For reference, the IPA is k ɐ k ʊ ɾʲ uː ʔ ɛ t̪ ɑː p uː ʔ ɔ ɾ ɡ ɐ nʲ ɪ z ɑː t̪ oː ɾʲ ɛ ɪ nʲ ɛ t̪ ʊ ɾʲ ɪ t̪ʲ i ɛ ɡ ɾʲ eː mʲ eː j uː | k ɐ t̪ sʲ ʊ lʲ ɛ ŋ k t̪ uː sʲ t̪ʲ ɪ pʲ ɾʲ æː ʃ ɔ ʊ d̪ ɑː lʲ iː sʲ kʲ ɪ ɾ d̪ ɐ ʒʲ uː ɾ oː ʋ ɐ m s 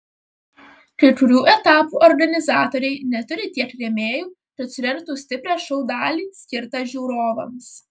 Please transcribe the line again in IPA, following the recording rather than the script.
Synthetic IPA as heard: k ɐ k ʊ ɾʲ uː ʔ ɛ t̪ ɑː p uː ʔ ɔ ɾ ɡ ɐ nʲ ɪ z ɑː t̪ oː ɾʲ ɛ ɪ nʲ ɛ t̪ ʊ ɾʲ ɪ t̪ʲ i ɛ k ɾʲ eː mʲ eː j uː | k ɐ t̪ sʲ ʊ ɾʲ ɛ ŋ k t̪ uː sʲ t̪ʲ ɪ pʲ ɾʲ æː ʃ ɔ ʊ d̪ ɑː lʲ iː sʲ kʲ ɪ ɾ t̪ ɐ ʒʲ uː ɾ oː ʋ ɐ m s

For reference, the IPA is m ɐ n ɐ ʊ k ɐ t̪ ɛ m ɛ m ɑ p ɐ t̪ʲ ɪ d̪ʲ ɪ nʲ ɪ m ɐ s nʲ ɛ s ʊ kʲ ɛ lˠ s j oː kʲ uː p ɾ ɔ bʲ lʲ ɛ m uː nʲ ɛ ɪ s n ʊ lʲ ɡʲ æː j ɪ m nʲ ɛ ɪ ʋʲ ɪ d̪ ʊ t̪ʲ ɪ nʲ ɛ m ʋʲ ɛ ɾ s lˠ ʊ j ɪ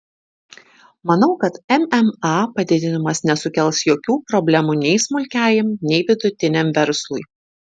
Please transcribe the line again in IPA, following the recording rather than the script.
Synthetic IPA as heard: m ɐ n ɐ ʊ k ɐ t̪ ɛ m ɛ m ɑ p ɐ d̪ʲ ɪ d̪ʲ ɪ nʲ ɪ m ɐ s nʲ ɛ s ʊ kʲ ɛ lˠ s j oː kʲ uː p ɾ ɔ bʲ lʲ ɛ m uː nʲ ɛ ɪ s m ʊ lʲ kʲ æː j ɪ m nʲ ɛ ɪ ʋʲ ɪ d̪ ʊ t̪ʲ ɪ nʲ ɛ m ʋʲ ɛ ɾ s lˠ ʊ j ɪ

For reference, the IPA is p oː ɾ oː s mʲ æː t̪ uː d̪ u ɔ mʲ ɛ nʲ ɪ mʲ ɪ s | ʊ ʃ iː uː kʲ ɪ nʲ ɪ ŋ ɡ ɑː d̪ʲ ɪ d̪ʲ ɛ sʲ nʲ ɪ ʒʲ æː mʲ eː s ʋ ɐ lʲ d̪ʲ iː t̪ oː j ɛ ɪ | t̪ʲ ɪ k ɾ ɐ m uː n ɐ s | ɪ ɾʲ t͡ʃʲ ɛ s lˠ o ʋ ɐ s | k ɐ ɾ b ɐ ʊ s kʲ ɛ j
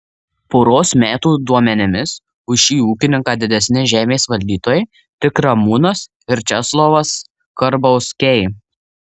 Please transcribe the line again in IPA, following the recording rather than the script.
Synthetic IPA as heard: p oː ɾ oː s mʲ æː t̪ uː d̪ u ɔ mʲ ɛ nʲ ɪ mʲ ɪ s | ʊ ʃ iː uː kʲ ɪ nʲ ɪ ŋ k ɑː d̪ʲ ɪ d̪ʲ ɛ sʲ nʲ ɪ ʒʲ æː mʲ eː s ʋ ɐ lʲ d̪ʲ iː t̪ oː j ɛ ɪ | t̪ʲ ɪ k ɾ ɐ m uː n ɐ s | ɪ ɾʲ t͡ʃʲ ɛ s lˠ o ʋ ɐ s | k ɐ ɾ b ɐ ʊ s kʲ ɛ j

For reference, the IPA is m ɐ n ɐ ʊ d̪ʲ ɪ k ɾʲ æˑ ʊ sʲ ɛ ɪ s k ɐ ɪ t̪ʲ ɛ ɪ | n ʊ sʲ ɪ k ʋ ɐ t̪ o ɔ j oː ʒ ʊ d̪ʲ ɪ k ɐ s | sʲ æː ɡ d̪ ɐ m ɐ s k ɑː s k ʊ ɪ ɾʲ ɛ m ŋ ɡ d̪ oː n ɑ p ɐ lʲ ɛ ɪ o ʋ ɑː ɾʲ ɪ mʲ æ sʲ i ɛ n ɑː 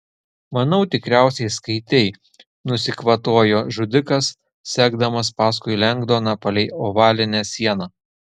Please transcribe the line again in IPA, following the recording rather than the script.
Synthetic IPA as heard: m ɐ n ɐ ʊ t̪ʲ ɪ k ɾʲ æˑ ʊ sʲ ɛ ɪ s k ɐ ɪ t̪ʲ ɛ ɪ | n ʊ sʲ ɪ k ʋ ɐ t̪ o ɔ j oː ʒ ʊ d̪ʲ ɪ k ɐ s | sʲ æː ɡ d̪ ɐ m ɐ s p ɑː s k ʊ ɪ lʲ ɛ ŋ ɡ d̪ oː n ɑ p ɐ lʲ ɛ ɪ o ʋ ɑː lʲ ɪ nʲ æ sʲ i ɛ n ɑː

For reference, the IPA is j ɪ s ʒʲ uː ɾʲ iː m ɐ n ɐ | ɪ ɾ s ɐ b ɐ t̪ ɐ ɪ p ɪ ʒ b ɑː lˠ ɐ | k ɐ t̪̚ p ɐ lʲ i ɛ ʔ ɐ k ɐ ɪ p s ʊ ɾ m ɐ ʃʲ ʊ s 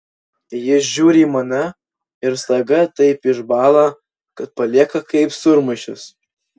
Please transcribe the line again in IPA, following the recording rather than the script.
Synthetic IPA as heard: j ɪ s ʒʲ uː ɾʲ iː m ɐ n ɐ | ɪ ɾ s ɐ ɡ ɐ t̪ ɐ ɪ p ɪ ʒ b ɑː lˠ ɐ | k ɐ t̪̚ p ɐ lʲ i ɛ k ɐ k ɐ ɪ p s ʊ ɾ m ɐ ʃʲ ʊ s

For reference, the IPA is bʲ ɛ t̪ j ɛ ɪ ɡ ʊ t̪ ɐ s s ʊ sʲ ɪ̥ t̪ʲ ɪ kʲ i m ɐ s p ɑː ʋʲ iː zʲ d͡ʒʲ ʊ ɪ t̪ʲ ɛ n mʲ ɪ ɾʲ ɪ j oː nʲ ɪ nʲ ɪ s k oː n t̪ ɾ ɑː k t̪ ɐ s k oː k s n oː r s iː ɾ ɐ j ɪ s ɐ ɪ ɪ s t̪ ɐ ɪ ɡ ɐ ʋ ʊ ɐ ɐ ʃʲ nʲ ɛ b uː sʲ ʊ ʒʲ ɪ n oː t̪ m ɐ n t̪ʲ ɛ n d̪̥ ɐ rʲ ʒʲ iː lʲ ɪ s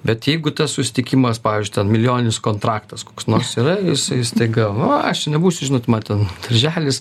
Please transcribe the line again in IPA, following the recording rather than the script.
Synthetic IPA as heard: bʲ ɛ t̪ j ɛ ɪ ɡ ʊ t̪ ɐ s s ʊ sʲ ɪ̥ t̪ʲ ɪ kʲ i m ɐ s p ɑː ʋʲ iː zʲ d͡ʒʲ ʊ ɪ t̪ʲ ɛ n mʲ ɪ lʲ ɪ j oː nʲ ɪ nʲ ɪ s k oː n t̪ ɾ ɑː k t̪ ɐ s k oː k s n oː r s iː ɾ ɐ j ɪ s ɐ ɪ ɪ s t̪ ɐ ɪ ɡ ɐ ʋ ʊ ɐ ɐ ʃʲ nʲ ɛ b uː sʲ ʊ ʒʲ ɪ n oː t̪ m ɐ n t̪ʲ ɛ n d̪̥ ɐ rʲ ʒʲ æː lʲ ɪ s

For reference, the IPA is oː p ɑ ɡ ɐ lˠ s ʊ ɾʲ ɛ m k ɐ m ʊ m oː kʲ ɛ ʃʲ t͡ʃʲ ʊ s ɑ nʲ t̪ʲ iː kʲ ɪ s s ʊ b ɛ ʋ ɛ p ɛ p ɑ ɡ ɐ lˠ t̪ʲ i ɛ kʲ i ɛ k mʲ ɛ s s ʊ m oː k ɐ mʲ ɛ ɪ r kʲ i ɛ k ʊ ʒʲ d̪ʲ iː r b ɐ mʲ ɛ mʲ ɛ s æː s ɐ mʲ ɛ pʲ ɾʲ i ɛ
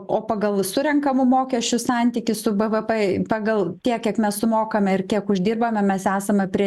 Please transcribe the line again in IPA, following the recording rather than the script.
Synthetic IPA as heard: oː p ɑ ɡ ɐ lˠ s ʊ ɾʲ ɛ ŋ k ɐ m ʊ m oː kʲ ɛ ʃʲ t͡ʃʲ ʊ s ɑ nʲ t̪ʲ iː kʲ ɪ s s ʊ b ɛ ʋ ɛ p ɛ p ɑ ɡ ɐ lˠ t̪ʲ i ɛ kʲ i ɛ k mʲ ɛ s s ʊ m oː k ɐ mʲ ɛ ɪ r kʲ i ɛ k ʊ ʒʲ d̪ʲ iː r b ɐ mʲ ɛ mʲ ɛ s æː s ɐ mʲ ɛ pʲ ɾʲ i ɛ

